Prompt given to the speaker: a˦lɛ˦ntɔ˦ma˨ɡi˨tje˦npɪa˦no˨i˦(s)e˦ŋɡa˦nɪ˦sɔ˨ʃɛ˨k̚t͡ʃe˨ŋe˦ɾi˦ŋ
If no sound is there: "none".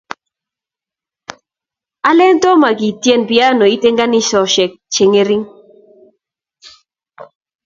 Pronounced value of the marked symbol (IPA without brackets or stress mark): t